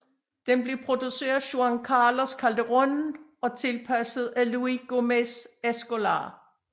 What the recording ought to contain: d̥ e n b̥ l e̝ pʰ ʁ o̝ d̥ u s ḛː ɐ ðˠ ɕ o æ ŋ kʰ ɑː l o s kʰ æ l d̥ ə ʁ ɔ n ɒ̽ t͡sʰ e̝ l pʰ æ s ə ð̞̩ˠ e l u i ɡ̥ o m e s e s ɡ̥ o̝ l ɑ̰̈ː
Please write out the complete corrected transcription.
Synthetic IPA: d̥ e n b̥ l e̝ pʰ ʁ o̝ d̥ u s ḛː ɐ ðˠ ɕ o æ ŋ kʰ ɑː l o s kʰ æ l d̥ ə ʁ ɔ n ɒ̽ t͡sʰ e̝ l pʰ æ s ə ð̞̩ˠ æ l u i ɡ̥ o m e s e s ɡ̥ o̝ l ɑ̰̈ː